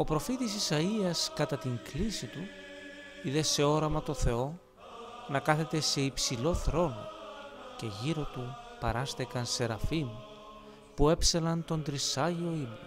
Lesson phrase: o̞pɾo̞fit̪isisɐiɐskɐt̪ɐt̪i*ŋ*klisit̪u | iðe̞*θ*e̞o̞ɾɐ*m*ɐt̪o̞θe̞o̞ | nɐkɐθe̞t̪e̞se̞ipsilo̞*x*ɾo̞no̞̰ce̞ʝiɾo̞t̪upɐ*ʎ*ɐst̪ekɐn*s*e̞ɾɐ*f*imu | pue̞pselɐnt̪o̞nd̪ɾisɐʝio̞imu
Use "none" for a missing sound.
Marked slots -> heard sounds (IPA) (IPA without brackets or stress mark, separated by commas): ŋ, s, m, θ, ɾ, s, f